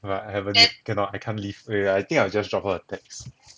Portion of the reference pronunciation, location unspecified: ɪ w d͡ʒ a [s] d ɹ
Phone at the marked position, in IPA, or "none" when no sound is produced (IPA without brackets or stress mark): s